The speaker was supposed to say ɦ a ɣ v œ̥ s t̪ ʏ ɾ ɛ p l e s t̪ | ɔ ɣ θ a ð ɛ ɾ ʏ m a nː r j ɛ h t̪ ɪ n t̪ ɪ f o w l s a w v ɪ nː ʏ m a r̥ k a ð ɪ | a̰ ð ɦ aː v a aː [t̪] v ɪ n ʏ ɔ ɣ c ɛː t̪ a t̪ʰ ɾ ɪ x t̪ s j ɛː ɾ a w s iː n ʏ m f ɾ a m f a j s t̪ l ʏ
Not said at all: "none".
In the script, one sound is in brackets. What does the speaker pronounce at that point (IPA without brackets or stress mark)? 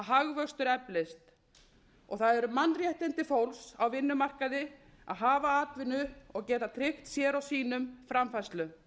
t̪